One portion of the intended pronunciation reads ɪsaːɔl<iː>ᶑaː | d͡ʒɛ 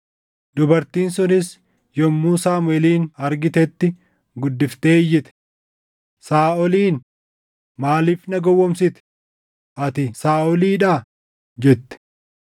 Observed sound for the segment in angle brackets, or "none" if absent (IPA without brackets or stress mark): iː